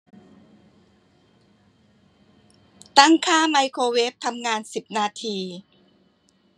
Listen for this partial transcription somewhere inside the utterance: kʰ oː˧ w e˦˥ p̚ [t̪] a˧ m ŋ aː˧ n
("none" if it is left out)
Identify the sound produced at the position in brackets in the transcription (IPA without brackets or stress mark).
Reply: t̪ʰ